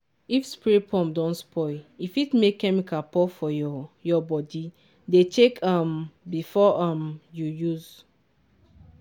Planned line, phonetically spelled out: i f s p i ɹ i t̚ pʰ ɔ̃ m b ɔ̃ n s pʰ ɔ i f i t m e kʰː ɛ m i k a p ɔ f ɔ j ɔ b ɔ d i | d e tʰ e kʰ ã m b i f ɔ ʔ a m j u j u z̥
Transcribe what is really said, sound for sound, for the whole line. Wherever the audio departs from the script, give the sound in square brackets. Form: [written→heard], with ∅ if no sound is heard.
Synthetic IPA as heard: i f s p i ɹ i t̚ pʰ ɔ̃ m [b→d] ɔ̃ n s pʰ ɔ i f i t m e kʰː ɛ m i k a p ɔ f ɔ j ɔ b ɔ d i | d e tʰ e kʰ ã m b i f ɔ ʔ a m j u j u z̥

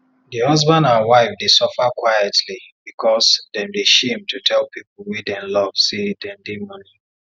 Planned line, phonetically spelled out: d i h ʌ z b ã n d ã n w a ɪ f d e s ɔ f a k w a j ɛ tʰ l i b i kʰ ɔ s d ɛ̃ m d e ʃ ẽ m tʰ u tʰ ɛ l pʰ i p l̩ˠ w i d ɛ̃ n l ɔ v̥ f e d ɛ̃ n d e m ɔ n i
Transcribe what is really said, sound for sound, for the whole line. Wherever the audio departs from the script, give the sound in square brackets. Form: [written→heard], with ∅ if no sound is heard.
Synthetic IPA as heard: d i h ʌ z b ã n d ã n w a ɪ f d e s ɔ f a k w a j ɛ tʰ l i b i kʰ ɔ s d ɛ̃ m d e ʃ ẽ m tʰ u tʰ ɛ l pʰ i p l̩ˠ w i d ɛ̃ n l ɔ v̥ [f→s] e d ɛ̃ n d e m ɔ n i

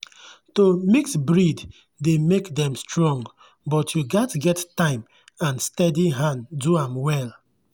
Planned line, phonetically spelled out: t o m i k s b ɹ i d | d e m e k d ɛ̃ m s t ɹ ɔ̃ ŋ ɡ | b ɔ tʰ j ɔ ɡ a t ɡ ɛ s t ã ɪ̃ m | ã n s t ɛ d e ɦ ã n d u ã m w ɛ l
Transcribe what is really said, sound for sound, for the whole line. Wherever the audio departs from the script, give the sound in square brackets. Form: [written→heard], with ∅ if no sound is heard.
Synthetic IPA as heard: t o m i k s b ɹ i d | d e m e k d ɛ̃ m s t ɹ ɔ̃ ŋ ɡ | b ɔ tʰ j [ɔ→u] ɡ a t ɡ ɛ [s→t] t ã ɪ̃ m | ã n s t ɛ d [e→i] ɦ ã n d u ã m w ɛ l

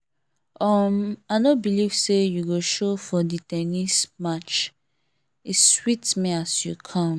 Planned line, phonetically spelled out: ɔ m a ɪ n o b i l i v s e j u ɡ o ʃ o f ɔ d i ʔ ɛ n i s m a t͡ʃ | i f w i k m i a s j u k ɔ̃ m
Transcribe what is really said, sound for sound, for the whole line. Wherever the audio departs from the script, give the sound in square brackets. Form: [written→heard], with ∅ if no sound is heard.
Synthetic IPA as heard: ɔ m a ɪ n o b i l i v s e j u ɡ o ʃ o f ɔ d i [ʔ→t] ɛ n i s m a t͡ʃ | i [f→s] w i [k→t] m i a s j u [k→kʰ] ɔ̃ m

